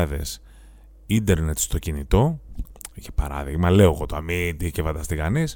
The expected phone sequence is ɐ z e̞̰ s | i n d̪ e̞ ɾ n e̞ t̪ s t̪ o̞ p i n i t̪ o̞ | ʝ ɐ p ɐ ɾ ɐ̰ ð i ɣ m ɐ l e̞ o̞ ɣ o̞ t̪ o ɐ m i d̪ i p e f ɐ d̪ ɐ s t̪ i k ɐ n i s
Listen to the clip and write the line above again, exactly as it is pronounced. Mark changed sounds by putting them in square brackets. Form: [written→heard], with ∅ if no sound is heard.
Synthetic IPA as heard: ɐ [z→ð] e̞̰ s | i n d̪ e̞ ɾ n e̞ t̪ s t̪ o̞ [p→c] i n i t̪ o̞ | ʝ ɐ p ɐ ɾ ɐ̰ ð i ɣ m ɐ l e̞ o̞ ɣ o̞ t̪ o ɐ m i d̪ i [p→c] e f ɐ d̪ ɐ s t̪ i k ɐ n i s